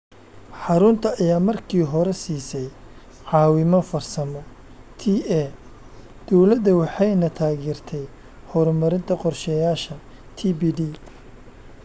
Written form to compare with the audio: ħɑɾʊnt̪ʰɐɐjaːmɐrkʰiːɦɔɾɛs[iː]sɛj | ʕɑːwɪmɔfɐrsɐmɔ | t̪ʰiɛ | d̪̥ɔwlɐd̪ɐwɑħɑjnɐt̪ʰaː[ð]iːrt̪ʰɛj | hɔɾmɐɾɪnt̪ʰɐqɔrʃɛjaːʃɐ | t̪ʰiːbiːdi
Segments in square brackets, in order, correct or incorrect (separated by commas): correct, incorrect